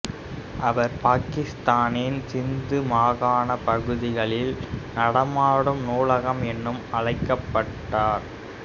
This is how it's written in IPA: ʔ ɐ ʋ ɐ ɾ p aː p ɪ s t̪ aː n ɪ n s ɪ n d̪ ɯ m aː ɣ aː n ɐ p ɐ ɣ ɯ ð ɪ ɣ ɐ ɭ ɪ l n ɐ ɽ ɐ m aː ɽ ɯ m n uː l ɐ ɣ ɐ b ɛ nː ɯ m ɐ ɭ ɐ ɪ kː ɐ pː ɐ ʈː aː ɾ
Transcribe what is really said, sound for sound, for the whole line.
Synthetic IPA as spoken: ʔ ɐ ʋ ɐ ɾ p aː k ɪ s t̪ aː n ɪ n s ɪ n d̪ ɯ m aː ɣ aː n ɐ p ɐ ɣ ɯ ð ɪ ɣ ɐ ɭ ɪ l n ɐ ɽ ɐ m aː ɽ ɯ m n uː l ɐ ɣ ɐ m ɛ nː ɯ m ɐ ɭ ɐ ɪ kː ɐ pː ɐ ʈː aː ɾ